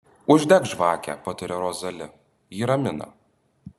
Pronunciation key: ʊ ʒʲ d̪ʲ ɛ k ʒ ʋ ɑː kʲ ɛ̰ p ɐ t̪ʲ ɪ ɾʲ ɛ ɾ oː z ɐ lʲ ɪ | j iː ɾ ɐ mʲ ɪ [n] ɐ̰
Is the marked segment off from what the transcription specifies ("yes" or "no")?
no